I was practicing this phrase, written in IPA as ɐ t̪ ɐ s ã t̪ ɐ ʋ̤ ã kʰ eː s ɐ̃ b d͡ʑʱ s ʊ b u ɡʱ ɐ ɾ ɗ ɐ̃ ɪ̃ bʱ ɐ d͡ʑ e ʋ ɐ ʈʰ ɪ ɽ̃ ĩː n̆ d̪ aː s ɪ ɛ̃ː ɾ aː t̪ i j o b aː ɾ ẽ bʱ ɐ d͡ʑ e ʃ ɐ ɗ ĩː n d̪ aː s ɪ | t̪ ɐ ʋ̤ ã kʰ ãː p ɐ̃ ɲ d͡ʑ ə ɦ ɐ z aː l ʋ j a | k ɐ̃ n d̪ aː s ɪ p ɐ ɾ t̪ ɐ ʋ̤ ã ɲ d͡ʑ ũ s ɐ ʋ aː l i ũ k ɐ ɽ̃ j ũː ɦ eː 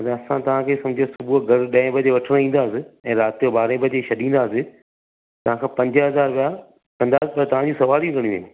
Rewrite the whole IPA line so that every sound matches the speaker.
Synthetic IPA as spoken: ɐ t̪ ɐ s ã t̪ ɐ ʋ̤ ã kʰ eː s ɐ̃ m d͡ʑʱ s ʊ b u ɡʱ ɐ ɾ ɗ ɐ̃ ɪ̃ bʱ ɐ d͡ʑ e ʋ ɐ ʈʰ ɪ ɽ̃ ĩː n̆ d̪ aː s ɪ ɛ̃ː ɾ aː t̪ i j o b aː ɾ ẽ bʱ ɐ d͡ʑ e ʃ ɐ ɗ ĩː n d̪ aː s ɪ | t̪ ɐ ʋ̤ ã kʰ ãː p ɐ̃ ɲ d͡ʑ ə ɦ ɐ z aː ɾ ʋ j a | k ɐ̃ n d̪ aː s ɪ p ɐ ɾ t̪ ɐ ʋ̤ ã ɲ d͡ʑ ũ s ɐ ʋ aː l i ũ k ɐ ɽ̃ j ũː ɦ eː